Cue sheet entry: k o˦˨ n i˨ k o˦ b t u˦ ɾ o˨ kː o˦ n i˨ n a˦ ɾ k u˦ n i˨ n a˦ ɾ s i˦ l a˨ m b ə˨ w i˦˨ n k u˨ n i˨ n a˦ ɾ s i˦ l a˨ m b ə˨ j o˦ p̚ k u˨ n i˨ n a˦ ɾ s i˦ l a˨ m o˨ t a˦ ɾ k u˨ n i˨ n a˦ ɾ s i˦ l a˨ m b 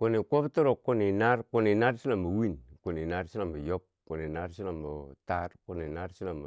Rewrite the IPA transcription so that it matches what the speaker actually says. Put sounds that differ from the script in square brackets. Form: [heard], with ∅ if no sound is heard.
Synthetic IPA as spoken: k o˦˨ n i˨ k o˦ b t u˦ ɾ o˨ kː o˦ n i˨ n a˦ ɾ k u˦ n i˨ n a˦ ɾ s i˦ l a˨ m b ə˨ w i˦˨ n k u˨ n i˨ n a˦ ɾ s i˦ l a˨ m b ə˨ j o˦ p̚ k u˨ n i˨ n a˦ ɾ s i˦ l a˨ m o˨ t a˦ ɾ k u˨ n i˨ n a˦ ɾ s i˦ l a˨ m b

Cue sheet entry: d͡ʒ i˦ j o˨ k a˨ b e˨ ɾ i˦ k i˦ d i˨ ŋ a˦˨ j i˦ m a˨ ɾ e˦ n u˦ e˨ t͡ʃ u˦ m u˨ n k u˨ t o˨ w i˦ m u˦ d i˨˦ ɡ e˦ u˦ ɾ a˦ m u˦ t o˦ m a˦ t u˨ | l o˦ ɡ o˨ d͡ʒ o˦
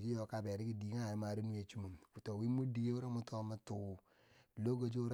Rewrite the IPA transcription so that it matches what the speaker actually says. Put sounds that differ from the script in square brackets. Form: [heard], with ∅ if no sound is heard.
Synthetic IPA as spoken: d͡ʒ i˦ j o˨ k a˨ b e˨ ɾ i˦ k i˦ d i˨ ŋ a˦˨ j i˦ m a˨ ɾ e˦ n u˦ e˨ t͡ʃ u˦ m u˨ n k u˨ t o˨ w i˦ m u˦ d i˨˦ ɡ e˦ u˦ ɾ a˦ m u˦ t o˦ m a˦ t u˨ | l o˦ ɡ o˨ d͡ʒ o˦

